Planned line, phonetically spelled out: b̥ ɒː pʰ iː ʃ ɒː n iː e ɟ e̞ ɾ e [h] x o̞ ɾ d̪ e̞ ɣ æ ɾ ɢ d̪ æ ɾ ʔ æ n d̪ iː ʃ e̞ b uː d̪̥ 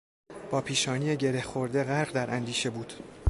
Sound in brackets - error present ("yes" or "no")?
no